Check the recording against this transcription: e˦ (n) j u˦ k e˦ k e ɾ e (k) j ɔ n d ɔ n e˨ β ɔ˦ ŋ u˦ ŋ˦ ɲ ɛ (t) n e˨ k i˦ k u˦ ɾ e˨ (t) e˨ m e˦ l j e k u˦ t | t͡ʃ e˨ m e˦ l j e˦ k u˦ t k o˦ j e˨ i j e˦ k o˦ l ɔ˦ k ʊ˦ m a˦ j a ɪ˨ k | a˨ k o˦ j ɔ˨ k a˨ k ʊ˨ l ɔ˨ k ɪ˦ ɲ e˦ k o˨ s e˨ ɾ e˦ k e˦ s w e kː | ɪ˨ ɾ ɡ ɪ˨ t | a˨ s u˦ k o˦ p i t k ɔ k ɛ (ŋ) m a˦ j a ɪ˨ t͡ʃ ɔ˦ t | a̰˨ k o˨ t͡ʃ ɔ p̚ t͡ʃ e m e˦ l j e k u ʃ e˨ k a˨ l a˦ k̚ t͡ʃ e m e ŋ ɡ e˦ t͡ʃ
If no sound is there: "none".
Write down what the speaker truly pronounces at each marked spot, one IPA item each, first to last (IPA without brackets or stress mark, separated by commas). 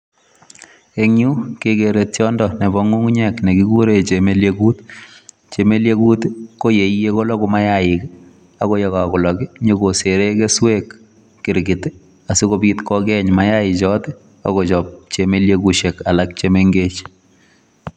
ŋ, t, k, t͡ʃ, ɲ